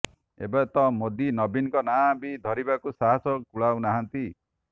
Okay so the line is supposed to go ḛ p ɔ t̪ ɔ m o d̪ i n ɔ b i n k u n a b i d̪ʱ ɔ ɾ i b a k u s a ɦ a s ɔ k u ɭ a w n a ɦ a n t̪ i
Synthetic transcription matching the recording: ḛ b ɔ t̪ ɔ m o d̪ i n ɔ b i n k ɔ n a b i d̪ʱ ɔ ɾ i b a k u s a ɦ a s ɔ k u ɭ a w n a ɦ a n t̪ i